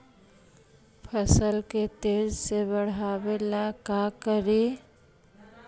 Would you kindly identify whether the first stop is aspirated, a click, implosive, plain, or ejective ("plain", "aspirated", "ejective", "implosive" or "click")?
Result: aspirated